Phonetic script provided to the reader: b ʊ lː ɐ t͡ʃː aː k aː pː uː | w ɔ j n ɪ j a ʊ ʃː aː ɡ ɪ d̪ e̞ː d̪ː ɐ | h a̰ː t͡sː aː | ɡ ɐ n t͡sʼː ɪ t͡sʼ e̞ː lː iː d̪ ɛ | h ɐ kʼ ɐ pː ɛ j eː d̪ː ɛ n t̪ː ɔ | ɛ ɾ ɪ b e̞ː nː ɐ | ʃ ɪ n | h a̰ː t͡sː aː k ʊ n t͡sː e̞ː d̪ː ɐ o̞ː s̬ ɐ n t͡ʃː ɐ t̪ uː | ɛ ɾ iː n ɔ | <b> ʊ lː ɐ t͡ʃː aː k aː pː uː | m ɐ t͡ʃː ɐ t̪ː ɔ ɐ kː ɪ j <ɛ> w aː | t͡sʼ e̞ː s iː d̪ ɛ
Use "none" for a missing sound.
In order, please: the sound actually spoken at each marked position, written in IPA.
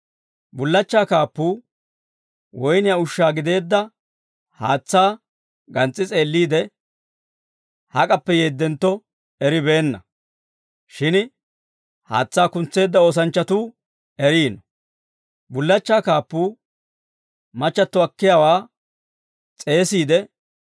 b, a

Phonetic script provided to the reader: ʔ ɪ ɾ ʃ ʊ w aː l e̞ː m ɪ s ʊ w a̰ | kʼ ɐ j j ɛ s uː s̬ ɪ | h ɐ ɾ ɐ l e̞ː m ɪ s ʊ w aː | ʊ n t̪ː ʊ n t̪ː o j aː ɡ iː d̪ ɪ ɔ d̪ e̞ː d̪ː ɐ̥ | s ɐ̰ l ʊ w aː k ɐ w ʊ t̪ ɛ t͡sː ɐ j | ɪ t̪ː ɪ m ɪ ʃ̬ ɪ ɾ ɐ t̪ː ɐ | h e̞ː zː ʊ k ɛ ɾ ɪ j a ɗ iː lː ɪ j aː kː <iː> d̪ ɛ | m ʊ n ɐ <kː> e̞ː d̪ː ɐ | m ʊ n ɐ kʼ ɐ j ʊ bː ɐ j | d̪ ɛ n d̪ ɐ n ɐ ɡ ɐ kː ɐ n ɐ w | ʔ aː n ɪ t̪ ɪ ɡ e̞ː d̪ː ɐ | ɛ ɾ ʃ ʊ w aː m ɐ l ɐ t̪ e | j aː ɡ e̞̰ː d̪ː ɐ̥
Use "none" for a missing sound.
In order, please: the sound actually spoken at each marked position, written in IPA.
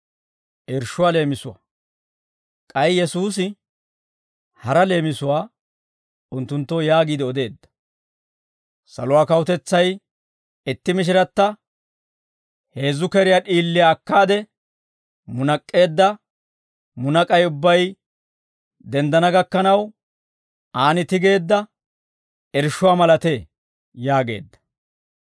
aː, kʼː

